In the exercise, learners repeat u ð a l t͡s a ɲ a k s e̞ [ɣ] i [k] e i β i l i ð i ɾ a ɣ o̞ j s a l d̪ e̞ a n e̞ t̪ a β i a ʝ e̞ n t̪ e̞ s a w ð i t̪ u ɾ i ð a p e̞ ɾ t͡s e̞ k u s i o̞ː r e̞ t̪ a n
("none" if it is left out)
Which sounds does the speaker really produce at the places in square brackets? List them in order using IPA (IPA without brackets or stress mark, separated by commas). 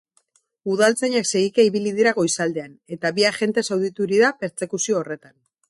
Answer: ɣ, k